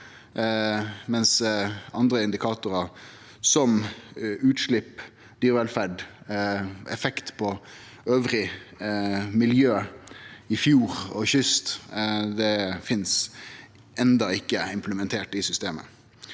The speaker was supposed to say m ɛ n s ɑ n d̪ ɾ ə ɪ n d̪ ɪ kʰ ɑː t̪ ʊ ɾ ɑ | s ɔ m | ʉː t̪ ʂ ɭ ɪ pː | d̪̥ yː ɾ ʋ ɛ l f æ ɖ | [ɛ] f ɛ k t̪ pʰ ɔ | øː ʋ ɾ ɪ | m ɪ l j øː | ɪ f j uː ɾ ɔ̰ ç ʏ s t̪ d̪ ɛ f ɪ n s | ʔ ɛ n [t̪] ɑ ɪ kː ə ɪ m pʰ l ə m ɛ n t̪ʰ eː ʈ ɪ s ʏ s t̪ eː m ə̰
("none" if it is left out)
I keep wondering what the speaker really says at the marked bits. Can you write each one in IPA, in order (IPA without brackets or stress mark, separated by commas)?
ɛ, d̪